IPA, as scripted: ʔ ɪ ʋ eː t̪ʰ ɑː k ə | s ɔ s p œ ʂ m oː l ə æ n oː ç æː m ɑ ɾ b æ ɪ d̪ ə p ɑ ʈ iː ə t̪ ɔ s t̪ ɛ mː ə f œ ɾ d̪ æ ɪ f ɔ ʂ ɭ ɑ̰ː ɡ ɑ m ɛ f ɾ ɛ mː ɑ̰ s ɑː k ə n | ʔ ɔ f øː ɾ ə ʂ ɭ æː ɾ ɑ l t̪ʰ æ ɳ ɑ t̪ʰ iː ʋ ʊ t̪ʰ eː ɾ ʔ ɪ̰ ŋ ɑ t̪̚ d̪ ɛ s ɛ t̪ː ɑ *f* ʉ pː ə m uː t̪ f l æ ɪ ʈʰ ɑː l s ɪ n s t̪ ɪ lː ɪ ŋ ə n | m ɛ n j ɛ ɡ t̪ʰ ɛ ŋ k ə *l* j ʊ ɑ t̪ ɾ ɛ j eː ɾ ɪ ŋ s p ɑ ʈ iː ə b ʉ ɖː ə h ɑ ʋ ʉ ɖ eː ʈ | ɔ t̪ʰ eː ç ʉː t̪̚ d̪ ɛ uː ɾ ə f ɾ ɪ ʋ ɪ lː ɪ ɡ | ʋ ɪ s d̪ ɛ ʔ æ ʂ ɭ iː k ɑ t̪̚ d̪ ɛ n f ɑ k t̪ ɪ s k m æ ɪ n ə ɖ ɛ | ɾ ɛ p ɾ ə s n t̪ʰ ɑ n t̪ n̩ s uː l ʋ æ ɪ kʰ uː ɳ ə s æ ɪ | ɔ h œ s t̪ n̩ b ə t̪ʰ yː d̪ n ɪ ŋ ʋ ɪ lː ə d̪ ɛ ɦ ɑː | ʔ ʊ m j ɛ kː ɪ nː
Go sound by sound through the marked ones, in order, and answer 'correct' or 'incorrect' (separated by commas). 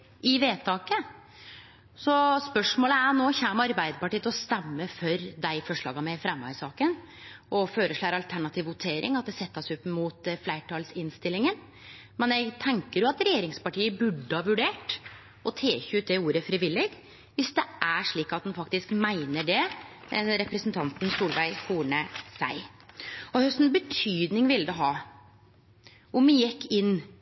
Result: incorrect, incorrect